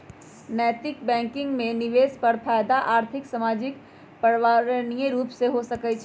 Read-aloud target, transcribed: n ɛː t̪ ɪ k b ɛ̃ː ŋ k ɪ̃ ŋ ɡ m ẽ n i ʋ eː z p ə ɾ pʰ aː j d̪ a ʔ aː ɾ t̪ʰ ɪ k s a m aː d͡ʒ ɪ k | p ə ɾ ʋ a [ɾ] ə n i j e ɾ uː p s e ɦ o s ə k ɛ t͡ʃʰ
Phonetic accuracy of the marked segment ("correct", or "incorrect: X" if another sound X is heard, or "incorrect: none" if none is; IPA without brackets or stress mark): correct